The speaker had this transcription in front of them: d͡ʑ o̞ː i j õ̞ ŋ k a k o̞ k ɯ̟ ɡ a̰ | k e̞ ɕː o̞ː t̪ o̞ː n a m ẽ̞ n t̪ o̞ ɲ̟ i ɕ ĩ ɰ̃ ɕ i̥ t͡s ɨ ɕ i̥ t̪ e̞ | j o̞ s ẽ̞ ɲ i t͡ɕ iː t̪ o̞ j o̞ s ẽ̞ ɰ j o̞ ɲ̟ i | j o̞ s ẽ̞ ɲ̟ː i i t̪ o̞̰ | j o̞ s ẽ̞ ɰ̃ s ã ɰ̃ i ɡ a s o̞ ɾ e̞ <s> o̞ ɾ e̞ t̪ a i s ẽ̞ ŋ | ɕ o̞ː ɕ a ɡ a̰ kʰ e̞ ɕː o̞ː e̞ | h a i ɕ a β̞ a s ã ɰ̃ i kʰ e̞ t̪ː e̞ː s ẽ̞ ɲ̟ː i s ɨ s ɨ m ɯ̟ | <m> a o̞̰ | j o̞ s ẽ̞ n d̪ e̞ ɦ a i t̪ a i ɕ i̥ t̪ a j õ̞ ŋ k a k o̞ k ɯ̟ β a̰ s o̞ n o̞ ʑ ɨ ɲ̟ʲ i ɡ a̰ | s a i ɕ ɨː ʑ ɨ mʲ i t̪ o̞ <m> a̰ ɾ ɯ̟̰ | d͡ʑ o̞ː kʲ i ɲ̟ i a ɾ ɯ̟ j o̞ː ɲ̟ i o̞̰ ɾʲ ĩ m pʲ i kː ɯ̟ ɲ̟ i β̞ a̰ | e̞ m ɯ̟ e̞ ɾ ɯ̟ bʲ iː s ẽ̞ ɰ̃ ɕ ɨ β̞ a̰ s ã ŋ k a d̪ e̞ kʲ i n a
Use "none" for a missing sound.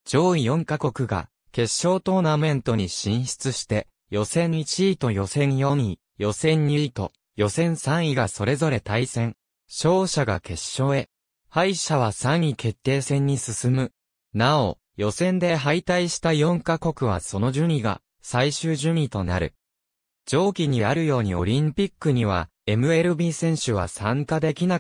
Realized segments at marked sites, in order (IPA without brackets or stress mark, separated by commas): z, n, n